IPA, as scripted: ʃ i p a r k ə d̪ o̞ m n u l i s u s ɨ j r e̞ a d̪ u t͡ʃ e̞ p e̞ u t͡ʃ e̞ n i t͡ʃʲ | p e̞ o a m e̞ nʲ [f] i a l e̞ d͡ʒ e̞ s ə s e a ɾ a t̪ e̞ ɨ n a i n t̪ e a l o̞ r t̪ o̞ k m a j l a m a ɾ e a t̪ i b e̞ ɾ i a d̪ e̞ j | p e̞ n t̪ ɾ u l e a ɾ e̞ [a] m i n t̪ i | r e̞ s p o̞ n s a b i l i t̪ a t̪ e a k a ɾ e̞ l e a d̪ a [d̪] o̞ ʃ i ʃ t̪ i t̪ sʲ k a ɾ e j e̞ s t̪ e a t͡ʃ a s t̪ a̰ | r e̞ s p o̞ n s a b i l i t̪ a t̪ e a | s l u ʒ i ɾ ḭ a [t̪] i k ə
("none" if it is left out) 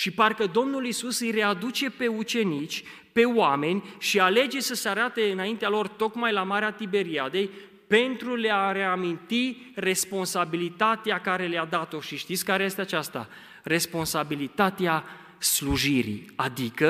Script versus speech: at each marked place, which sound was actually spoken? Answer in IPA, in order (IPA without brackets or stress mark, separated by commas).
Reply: ʃ, a, t̪, d̪